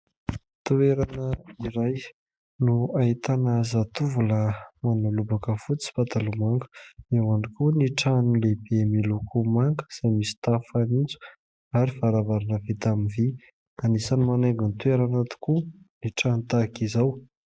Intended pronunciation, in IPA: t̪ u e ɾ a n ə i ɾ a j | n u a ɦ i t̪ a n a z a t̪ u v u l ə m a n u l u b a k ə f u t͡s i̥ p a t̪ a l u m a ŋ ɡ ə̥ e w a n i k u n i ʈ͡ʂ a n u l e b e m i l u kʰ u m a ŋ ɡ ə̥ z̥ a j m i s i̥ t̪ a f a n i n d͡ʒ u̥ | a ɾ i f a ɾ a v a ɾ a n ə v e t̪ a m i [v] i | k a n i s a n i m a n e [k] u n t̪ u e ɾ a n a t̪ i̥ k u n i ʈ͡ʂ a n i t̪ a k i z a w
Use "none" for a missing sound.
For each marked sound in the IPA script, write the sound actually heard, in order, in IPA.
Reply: v, ɡ

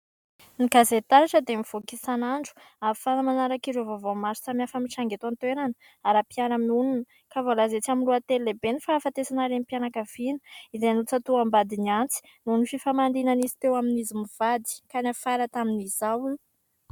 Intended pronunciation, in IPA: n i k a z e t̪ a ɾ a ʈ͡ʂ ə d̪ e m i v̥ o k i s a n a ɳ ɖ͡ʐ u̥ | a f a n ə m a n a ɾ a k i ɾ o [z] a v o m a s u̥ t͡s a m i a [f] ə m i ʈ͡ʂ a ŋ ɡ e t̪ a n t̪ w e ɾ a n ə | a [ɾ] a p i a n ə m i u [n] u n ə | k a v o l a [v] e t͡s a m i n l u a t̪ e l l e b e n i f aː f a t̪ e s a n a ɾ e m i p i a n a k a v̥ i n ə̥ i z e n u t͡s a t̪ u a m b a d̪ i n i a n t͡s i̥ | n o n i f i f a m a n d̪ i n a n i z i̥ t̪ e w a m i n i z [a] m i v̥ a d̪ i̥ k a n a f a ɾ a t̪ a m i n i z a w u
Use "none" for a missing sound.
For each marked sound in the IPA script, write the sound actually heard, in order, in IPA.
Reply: v, f, ɾ, n, z, i

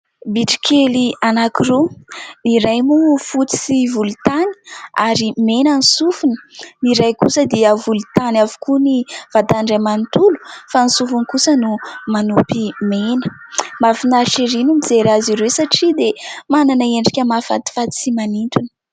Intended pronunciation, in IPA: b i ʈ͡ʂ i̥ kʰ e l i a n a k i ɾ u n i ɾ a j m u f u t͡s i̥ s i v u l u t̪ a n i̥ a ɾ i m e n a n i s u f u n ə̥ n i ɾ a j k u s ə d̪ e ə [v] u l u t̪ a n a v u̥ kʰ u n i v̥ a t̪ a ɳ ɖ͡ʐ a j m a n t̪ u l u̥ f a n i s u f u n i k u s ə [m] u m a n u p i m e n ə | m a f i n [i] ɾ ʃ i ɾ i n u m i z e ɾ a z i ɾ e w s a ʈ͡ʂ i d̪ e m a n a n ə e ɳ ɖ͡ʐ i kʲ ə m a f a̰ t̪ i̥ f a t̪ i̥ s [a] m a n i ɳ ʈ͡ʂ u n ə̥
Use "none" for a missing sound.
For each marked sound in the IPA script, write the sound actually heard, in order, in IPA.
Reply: v, n, a, i

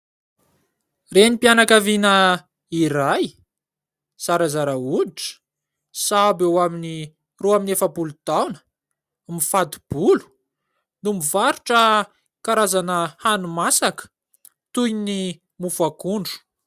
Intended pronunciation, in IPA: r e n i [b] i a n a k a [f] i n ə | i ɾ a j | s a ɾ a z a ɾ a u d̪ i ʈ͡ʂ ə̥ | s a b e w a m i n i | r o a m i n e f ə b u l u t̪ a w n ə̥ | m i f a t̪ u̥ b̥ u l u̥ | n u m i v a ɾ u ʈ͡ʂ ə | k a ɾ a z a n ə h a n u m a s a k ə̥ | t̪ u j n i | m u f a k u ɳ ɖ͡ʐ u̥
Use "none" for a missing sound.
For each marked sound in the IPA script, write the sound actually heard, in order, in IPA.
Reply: p, v

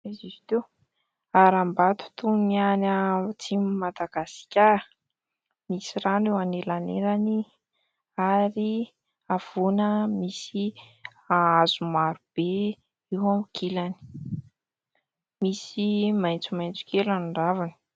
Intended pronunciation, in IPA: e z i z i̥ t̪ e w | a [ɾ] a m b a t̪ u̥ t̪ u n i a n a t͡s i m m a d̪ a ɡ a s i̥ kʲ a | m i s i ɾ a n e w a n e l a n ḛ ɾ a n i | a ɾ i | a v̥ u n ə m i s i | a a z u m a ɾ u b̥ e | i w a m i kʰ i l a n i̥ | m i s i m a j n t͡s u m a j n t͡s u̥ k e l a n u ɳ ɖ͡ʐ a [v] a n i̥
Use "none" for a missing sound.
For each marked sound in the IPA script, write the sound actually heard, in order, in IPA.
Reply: ɾ, v

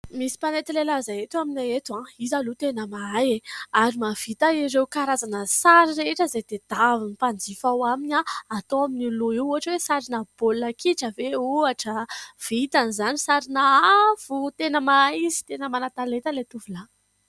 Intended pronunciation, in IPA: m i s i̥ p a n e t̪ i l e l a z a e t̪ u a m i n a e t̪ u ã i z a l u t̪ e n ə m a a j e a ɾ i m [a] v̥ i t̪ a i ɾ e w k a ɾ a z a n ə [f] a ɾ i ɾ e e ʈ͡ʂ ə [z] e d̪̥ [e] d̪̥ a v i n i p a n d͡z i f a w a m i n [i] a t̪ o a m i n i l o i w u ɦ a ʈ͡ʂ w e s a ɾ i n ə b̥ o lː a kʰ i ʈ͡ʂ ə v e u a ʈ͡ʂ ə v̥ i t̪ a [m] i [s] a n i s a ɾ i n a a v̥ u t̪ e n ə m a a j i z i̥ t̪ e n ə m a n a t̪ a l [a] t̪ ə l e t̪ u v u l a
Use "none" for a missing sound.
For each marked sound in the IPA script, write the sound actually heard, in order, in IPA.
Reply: a, s, z, e, a, n, z, e

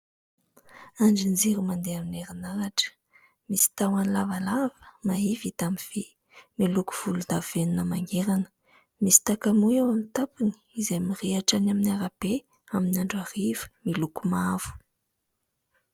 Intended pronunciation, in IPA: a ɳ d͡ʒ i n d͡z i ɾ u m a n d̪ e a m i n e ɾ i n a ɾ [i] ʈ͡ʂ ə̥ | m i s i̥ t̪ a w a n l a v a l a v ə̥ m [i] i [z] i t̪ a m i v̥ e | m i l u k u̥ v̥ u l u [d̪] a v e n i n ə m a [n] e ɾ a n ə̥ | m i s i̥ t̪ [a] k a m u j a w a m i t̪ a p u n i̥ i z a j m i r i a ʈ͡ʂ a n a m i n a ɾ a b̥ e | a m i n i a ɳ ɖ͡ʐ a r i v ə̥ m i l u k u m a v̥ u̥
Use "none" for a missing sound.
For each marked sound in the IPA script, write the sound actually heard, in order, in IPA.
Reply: a, a, v, d̪, ŋ, a

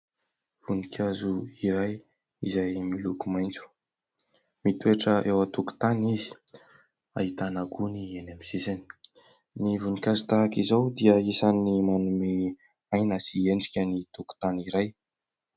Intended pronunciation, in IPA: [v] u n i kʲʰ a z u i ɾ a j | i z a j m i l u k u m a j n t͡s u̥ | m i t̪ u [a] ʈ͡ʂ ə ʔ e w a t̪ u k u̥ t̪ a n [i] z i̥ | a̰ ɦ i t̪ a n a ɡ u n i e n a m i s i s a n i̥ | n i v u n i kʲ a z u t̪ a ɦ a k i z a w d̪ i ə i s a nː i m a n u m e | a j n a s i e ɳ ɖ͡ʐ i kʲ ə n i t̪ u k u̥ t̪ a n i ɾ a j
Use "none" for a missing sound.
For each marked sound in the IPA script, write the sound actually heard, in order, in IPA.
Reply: v, e, i

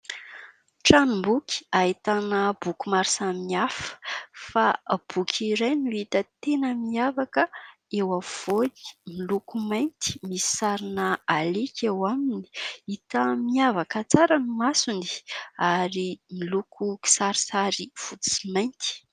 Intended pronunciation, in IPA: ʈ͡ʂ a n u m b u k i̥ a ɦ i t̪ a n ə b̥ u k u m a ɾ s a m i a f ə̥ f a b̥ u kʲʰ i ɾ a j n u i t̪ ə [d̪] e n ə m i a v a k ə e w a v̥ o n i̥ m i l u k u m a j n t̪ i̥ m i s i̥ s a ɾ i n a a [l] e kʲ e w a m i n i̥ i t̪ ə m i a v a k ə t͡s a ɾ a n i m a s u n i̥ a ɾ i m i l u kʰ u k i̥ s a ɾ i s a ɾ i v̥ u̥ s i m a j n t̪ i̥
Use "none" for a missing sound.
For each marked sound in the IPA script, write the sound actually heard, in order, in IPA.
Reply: t̪, l

